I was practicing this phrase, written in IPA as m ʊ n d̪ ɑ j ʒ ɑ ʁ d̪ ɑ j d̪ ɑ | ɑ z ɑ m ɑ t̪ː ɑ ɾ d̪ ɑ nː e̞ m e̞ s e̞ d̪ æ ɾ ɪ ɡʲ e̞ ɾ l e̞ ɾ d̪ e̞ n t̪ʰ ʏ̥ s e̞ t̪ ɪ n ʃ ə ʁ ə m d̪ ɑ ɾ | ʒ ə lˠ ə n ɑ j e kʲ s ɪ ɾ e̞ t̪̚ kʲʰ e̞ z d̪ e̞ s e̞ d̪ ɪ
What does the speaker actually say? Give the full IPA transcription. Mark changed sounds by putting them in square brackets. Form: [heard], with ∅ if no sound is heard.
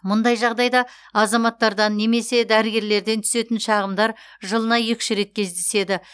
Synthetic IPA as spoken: m ʊ n d̪ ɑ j ʒ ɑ ʁ d̪ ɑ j d̪ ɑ | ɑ z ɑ m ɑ t̪ː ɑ ɾ d̪ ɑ nː e̞ m e̞ s e̞ d̪ æ ɾ ɪ ɡʲ e̞ ɾ l e̞ ɾ d̪ e̞ n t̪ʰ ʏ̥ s e̞ t̪ ɪ n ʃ [ɑ] ʁ ə m d̪ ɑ ɾ | ʒ ə lˠ ə n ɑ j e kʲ [ʃ] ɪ ɾ e̞ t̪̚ kʲʰ e̞ z d̪ e̞ s e̞ d̪ ɪ